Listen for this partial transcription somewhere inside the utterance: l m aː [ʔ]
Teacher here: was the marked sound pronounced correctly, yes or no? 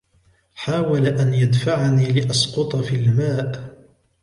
yes